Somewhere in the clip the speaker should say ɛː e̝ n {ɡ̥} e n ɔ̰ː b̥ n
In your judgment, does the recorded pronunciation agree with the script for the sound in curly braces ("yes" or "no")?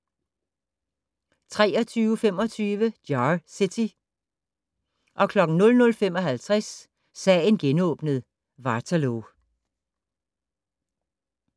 yes